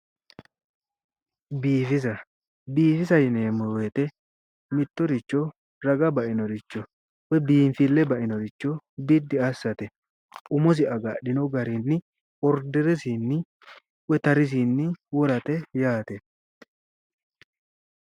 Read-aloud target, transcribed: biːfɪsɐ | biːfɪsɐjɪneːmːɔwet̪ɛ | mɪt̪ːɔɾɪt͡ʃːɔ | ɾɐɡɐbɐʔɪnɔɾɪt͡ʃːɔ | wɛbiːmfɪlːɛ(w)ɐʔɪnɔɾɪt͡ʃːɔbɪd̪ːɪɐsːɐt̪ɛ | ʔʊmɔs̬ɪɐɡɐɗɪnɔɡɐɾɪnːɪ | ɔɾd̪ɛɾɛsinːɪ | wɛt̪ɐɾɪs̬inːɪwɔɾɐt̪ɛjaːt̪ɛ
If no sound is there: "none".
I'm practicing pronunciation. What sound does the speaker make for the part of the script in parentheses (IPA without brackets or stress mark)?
b